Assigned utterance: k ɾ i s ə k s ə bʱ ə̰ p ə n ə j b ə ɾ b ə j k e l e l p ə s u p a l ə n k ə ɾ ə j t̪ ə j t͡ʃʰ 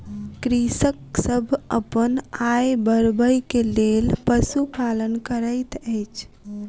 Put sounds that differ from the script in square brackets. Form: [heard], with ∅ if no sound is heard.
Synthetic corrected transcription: k ɾ i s ə k s ə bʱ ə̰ p ə n [a] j b ə ɾ b ə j k e l e l p ə s u p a l ə n k ə ɾ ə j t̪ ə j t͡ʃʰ